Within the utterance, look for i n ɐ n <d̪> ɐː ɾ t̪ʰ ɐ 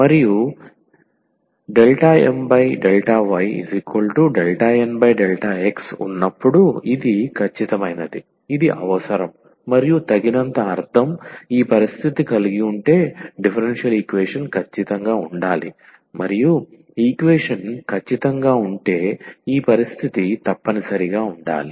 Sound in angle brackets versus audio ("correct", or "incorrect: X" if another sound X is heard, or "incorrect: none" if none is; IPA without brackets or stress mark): incorrect: t̪